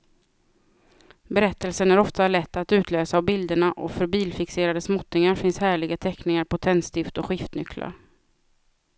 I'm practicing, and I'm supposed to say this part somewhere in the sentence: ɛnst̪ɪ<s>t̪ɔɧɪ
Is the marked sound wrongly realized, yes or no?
yes